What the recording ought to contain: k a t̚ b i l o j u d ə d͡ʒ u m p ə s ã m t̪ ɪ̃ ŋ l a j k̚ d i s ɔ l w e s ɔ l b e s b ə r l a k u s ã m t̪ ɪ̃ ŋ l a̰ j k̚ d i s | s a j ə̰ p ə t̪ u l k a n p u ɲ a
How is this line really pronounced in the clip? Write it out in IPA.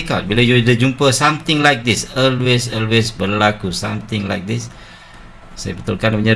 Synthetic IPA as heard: k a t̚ b i l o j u d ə d͡ʒ u m p ə s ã m t̪ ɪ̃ ŋ l a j k̚ d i s ɔ l w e s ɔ l w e s b ə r l a k u s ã m t̪ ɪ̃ ŋ l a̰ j k̚ d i s | s a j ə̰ b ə t̪ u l k a n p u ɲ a